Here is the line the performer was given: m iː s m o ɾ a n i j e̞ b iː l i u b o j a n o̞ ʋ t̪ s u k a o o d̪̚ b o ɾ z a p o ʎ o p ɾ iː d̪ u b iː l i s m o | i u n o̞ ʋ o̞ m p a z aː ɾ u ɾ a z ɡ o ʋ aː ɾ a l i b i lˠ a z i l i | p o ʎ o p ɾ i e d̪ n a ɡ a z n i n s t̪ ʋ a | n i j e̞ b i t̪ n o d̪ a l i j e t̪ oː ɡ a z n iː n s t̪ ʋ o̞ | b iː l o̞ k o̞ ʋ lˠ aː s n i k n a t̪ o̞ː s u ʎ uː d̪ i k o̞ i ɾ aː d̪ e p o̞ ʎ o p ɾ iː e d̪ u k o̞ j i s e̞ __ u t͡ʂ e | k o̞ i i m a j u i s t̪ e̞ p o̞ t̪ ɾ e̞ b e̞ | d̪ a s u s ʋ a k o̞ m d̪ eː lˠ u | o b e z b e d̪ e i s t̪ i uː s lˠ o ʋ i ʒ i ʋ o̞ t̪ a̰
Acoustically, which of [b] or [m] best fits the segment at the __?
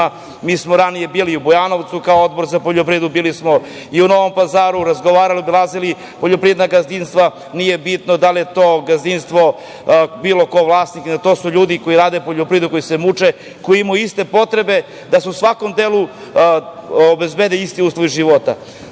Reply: m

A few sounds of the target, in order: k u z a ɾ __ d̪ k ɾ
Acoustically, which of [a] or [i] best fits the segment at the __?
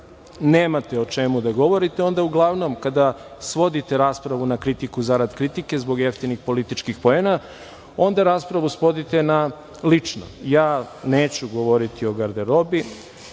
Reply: a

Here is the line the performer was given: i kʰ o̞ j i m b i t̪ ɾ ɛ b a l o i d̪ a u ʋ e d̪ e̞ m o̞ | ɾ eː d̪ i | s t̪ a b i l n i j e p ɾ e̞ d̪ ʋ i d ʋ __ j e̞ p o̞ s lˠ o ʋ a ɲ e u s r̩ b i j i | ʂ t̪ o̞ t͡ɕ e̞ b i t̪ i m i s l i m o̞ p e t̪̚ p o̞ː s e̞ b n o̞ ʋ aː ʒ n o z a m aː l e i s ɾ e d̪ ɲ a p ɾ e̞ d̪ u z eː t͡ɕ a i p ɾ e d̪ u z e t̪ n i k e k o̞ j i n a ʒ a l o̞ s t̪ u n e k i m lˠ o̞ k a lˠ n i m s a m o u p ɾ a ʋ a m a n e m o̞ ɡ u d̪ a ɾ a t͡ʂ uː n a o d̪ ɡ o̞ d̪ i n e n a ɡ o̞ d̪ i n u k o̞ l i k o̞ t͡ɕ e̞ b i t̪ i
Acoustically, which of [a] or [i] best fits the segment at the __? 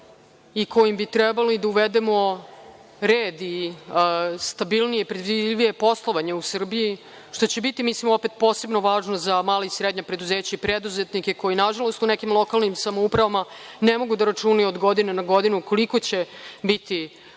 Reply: i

